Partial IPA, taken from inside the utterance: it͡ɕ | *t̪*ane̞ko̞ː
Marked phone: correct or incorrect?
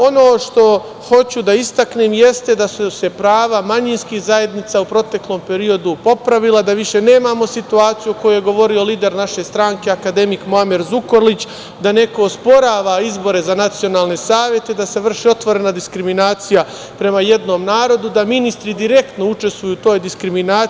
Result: incorrect: d̪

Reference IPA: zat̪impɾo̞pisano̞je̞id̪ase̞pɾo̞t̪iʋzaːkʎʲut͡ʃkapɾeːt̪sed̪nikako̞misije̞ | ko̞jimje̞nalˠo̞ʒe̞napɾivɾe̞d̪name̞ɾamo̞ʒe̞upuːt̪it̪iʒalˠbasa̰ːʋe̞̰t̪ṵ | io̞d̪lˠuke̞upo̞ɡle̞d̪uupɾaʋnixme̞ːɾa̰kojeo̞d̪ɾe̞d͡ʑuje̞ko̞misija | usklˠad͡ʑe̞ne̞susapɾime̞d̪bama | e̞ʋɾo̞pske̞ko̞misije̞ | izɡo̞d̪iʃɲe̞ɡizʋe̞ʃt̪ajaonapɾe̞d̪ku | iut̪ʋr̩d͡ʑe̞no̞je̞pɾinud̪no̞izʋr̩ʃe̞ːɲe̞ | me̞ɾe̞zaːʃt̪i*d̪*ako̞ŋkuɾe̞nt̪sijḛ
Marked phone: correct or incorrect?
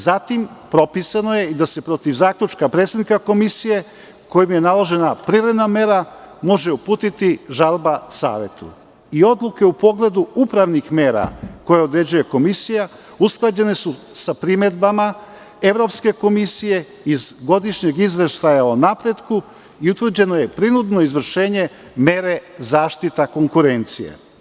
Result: incorrect: t̪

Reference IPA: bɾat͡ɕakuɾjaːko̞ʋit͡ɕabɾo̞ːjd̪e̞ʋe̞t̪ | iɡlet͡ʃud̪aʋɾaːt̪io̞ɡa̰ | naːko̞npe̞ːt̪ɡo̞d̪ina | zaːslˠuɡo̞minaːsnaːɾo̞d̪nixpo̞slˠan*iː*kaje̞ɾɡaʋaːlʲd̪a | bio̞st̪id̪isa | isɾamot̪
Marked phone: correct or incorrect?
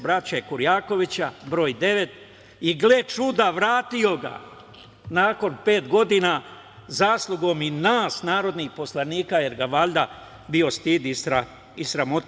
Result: correct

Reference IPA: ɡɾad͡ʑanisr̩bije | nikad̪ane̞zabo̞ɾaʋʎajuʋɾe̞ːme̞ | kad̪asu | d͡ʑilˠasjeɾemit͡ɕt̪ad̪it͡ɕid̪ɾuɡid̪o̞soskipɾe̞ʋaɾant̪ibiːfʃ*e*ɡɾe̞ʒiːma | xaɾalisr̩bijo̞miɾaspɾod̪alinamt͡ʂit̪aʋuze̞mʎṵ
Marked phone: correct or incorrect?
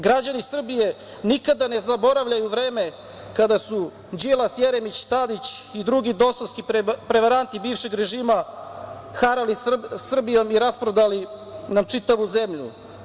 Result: correct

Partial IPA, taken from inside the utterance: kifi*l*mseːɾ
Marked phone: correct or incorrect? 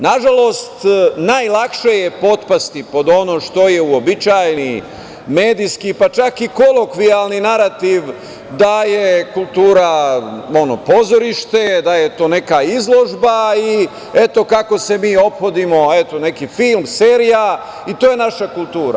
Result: correct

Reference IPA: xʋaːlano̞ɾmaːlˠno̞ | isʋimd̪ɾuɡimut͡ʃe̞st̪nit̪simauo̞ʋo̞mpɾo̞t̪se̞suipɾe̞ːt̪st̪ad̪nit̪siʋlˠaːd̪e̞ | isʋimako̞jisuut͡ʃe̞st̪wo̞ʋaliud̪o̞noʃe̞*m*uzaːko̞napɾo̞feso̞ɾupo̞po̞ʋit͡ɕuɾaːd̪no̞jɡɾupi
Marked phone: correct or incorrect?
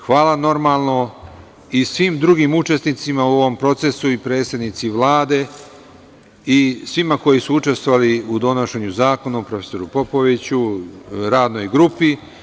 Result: incorrect: ɲ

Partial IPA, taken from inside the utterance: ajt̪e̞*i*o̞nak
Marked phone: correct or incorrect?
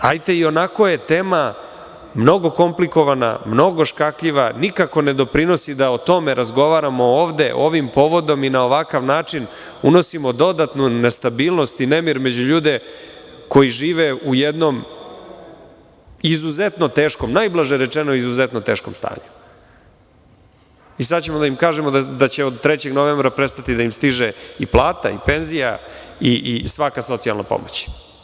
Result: correct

